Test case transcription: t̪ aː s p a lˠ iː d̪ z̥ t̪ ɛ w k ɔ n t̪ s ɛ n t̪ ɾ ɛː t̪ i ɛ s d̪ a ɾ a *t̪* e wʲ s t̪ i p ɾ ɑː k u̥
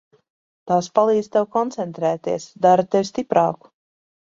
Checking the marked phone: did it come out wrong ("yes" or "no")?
no